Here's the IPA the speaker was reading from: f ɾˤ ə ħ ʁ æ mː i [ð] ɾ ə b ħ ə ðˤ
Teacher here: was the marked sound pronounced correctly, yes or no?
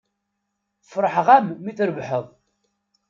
no